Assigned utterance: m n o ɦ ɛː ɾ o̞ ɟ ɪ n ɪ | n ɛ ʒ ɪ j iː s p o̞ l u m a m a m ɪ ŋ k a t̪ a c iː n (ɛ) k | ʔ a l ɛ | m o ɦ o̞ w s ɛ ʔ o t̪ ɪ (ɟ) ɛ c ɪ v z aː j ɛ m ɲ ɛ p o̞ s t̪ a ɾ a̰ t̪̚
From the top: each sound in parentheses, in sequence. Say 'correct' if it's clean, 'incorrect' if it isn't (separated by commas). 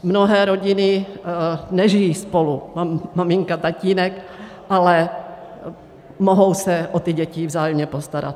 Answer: correct, correct